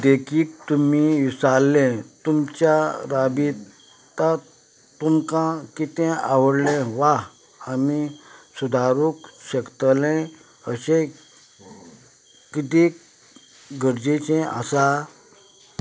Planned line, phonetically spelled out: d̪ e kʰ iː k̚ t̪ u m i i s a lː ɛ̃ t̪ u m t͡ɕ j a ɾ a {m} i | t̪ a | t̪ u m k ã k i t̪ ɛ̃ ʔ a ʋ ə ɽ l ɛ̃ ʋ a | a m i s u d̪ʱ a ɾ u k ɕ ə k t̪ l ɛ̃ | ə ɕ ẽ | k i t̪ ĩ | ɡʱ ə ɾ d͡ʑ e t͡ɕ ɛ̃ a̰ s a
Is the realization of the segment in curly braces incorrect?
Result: yes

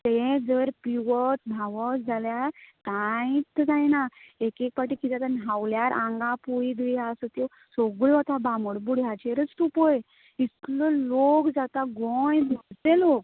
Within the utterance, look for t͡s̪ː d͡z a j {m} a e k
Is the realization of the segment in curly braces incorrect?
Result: yes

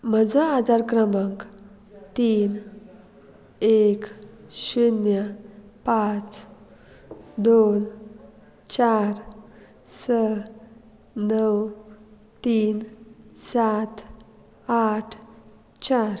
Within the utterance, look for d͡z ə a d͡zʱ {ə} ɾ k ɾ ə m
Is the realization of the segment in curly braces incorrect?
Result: yes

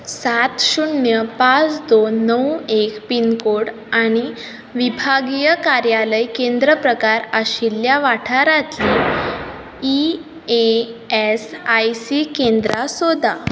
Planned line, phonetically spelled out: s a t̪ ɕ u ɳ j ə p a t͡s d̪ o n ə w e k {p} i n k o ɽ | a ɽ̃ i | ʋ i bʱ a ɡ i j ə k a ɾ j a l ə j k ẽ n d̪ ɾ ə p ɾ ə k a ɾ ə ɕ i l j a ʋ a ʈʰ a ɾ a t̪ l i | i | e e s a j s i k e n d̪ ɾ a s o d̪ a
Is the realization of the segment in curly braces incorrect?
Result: no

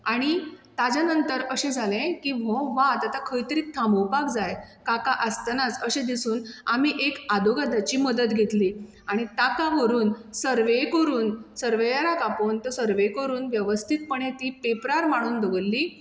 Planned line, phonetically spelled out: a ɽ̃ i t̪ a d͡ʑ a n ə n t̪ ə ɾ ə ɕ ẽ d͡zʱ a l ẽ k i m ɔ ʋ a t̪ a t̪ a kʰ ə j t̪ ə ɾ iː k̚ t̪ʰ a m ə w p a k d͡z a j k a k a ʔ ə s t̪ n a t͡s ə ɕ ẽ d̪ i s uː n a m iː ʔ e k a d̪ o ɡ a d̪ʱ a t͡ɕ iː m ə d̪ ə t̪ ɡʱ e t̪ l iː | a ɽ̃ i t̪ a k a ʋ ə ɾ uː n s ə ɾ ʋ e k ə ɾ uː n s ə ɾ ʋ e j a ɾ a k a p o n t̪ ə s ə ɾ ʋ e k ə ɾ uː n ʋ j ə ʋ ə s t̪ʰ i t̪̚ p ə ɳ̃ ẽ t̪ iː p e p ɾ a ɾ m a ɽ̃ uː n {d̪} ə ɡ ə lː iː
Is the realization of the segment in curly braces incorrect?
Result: no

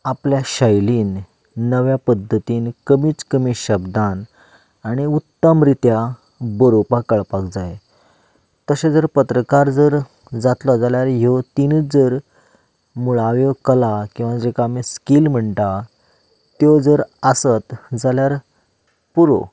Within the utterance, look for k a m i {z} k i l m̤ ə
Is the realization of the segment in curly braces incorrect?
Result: yes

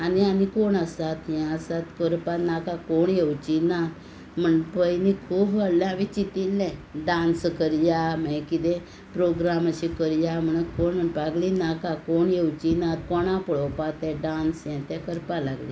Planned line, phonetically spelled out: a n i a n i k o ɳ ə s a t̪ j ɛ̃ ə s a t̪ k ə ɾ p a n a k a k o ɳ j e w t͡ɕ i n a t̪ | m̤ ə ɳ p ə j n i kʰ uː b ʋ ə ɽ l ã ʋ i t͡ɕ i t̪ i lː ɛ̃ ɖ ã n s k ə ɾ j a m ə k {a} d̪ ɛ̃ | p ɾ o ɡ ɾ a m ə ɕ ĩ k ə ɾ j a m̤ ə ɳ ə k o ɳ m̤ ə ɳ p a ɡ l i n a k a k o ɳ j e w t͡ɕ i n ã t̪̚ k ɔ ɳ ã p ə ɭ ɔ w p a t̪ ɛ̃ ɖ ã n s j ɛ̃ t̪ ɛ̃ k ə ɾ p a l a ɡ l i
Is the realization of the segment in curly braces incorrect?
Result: yes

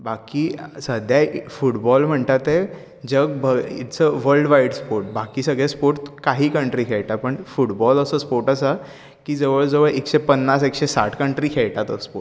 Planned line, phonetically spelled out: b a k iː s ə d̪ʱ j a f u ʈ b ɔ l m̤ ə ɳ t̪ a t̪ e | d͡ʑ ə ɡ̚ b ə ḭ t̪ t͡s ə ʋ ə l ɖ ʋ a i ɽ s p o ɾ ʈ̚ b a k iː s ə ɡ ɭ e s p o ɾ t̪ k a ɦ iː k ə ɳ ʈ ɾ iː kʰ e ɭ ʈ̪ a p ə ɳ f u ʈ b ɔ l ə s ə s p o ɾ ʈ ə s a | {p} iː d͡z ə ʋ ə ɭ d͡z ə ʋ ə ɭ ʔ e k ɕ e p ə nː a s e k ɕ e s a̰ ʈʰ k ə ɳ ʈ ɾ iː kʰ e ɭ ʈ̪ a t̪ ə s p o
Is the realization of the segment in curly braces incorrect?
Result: yes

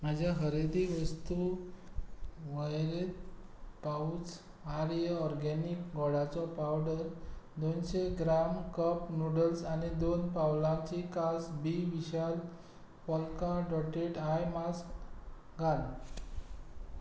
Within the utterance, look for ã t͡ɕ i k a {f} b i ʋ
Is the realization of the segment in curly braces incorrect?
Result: yes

